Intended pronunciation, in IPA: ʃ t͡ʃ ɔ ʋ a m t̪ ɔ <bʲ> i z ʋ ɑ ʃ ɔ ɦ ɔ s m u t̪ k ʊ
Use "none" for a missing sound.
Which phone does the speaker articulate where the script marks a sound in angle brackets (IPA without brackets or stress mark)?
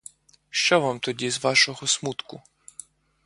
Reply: dʲ